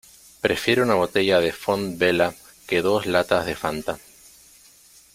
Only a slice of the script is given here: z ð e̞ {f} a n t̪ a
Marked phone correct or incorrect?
correct